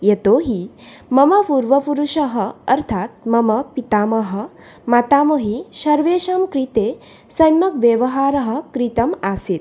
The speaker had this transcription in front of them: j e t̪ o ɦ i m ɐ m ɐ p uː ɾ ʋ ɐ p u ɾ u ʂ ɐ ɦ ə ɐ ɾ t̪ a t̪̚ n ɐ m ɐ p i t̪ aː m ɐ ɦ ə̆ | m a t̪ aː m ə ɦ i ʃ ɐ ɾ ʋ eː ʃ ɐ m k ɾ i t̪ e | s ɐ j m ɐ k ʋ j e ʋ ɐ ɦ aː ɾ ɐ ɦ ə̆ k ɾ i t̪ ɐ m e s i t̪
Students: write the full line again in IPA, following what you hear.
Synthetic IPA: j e t̪ o ɦ i m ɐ m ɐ p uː ɾ ʋ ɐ p u ɾ u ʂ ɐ ɦ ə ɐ ɾ t̪ʰ a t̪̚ m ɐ m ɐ p i t̪ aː m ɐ ɦ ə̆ | m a t̪ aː m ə ɦ i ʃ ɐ ɾ ʋ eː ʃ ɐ m k ɾ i t̪ e | s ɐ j m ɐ k ʋ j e ʋ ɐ ɦ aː ɾ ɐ ɦ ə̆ k ɾ i t̪ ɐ m a s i t̪

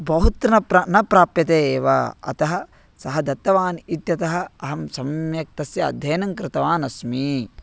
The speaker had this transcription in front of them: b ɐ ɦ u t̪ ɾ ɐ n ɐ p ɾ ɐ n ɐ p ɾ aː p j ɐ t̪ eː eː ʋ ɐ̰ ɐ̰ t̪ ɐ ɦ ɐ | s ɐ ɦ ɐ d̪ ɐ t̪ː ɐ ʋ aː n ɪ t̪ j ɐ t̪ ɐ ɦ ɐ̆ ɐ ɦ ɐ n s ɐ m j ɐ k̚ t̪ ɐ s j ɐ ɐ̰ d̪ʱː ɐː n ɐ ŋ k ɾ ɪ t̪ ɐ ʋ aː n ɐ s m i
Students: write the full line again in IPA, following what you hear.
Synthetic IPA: b ɐ ɦ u t̪ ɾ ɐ n ɐ p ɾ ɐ n ɐ p ɾ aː p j ɐ t̪ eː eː ʋ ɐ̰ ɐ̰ t̪ ɐ ɦ ɐ | s ɐ ɦ ɐ d̪ ɐ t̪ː ɐ ʋ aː n i t̪ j ɐ t̪ ɐ ɦ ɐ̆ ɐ ɦ ɐ m s ɐ m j ɐ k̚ t̪ ɐ s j ɐ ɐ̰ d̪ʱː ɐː n ɐ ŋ k ɾ ɪ t̪ ɐ ʋ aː n ɐ s m i

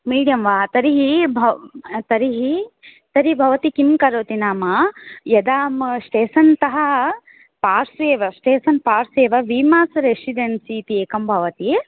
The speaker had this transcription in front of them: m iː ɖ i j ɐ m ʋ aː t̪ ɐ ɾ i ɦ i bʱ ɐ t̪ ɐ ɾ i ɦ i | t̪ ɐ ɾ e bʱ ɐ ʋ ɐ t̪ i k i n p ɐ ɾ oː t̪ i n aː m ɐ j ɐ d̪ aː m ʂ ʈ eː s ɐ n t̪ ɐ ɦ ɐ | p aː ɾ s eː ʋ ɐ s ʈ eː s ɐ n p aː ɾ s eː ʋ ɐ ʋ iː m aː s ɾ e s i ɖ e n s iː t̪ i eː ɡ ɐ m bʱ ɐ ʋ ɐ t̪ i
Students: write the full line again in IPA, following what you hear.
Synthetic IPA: m iː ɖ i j ɐ m ʋ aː t̪ ɐ ɾ i ɦ i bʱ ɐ t̪ ɐ ɾ i ɦ i | t̪ ɐ ɾ i bʱ ɐ ʋ ɐ t̪ i k i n k ɐ ɾ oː t̪ i n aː m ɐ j ɐ d̪ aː m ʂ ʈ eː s ɐ n t̪ ɐ ɦ ɐ | p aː ɾ s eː ʋ ɐ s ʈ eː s ɐ n p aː ɾ s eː ʋ ɐ ʋ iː m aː s ɾ e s i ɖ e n s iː t̪ i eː k ɐ m bʱ ɐ ʋ ɐ t̪ i

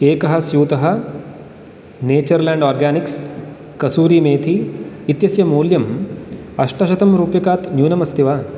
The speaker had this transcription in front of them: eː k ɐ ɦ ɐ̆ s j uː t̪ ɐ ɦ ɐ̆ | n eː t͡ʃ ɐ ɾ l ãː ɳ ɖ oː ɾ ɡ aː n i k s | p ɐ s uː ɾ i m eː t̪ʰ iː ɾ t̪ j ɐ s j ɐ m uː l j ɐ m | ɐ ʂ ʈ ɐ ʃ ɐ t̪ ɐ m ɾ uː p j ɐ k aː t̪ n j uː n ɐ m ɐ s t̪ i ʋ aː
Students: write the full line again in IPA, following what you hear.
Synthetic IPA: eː k ɐ ɦ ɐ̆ s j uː t̪ ɐ ɦ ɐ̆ | n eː t͡ʃ ɐ ɾ l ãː ɳ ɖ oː ɾ ɡ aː n i k s | k ɐ s uː ɾ i m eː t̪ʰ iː t̪ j ɐ s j ɐ m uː l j ɐ m | ɐ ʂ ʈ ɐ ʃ ɐ t̪ ɐ m ɾ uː p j ɐ k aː t̪ n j uː n ɐ m ɐ s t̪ i ʋ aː

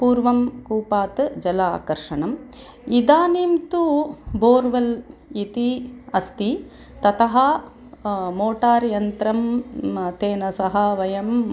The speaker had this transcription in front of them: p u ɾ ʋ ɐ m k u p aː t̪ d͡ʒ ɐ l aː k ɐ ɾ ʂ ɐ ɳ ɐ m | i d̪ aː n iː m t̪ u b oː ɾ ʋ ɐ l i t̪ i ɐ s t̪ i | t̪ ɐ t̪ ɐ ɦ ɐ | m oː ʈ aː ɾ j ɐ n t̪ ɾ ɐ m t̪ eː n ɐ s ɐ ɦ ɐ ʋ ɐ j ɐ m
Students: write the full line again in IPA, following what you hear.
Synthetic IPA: p uː ɾ ʋ ɐ m k uː p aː t̪ d͡ʒ ɐ l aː k ɐ ɾ ʂ ɐ ɳ ɐ m | i d̪ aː n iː m t̪ u b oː ɾ ʋ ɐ l i t̪ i ɐ s t̪ i | t̪ ɐ t̪ ɐ ɦ ɐ | m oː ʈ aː ɾ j ɐ n t̪ ɾ ɐ m t̪ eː n ɐ s ɐ ɦ ɐ ʋ ɐ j ɐ m

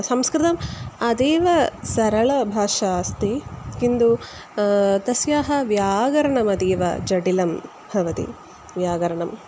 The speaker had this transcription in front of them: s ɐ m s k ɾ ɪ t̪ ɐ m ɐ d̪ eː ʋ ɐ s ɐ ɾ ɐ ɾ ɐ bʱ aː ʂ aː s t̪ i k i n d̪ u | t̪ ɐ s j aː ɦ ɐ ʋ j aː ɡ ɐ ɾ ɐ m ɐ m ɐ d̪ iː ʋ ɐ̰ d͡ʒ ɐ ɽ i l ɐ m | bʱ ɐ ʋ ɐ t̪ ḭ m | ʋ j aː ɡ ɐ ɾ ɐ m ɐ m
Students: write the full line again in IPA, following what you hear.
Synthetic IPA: s ɐ m s k ɾ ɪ t̪ ɐ m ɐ d̪ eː ʋ ɐ s ɐ ɾ ɐ ɭ ɐ bʱ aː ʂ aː s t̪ i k i n d̪ u | t̪ ɐ s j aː ɦ ɐ ʋ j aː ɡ ɐ ɾ ɐ ɳ ɐ m ɐ d̪ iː ʋ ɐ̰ d͡ʒ ɐ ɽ i l ɐ m | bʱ ɐ ʋ ɐ t̪ ḭ | ʋ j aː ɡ ɐ ɾ ɐ ɳ ɐ m

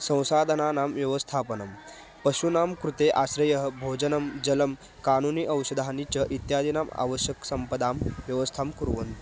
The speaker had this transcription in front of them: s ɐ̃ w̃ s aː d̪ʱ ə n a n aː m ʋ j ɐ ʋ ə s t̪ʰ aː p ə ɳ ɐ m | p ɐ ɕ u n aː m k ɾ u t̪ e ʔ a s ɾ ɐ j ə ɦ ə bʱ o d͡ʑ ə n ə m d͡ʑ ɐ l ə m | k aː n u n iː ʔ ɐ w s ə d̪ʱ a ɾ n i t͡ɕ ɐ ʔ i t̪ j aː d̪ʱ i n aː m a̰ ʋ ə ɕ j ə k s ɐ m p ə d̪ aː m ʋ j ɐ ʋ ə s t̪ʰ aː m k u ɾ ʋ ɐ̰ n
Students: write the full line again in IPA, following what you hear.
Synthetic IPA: s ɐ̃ w̃ s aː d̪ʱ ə n a n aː m ʋ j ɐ ʋ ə s t̪ʰ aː p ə n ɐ m | p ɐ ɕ u n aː m k ɾ u t̪ e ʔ a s ɾ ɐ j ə ɦ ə bʱ o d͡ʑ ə n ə m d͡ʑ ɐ l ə m | k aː n u n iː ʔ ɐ w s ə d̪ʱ a n i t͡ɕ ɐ ʔ i t̪ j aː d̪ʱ i n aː m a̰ ʋ ə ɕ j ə k s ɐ m p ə d̪ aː m ʋ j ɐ ʋ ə s t̪ʰ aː m k u ɾ ʋ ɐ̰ n

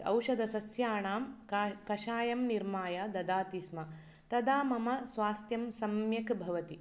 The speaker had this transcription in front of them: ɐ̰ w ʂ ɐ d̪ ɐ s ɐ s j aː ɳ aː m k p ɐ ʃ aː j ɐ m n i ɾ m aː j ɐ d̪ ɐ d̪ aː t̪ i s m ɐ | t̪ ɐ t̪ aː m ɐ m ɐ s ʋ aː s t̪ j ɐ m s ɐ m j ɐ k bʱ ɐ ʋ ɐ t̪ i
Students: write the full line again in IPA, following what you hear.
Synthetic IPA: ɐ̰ w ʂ ɐ d̪ ɐ s ɐ s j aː ɳ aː m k k ɐ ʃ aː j ɐ m n i ɾ m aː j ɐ d̪ ɐ d̪ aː t̪ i s m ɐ | t̪ ɐ d̪ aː m ɐ m ɐ s ʋ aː s t̪ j ɐ m s ɐ m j ɐ k bʱ ɐ ʋ ɐ t̪ i

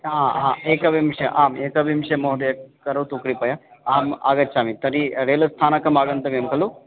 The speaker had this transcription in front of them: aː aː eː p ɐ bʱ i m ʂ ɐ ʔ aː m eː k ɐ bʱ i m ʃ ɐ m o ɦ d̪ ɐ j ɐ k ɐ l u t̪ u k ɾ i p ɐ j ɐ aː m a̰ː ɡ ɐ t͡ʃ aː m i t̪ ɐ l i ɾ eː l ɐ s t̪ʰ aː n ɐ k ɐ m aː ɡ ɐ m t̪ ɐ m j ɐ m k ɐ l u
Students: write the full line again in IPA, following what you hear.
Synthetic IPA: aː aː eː k ɐ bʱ i m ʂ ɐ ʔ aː m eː k ɐ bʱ i m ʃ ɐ m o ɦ d̪ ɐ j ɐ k ɐ ɾ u t̪ u k ɾ i p ɐ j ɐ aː m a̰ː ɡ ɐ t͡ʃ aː m i t̪ ɐ ɾ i ɾ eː l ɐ s t̪ʰ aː n ɐ k ɐ m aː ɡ ɐ n t̪ ɐ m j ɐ m k ɐ l u

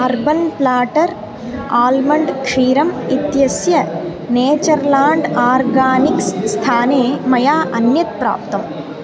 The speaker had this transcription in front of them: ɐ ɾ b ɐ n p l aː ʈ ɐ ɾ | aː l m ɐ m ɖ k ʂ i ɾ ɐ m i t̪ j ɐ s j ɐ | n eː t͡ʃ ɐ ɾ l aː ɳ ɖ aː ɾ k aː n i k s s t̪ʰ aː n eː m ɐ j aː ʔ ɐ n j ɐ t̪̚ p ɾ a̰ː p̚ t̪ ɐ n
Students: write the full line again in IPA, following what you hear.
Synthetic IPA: ɐ ɾ b ɐ n p l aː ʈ ɐ ɾ | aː l m ɐ ɳ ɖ k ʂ iː ɾ ɐ m i t̪ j ɐ s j ɐ | n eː t͡ʃ ɐ ɾ l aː ɳ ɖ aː ɾ ɡ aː n i k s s t̪ʰ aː n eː m ɐ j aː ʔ ɐ n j ɐ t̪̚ p ɾ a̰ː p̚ t̪ ɐ m

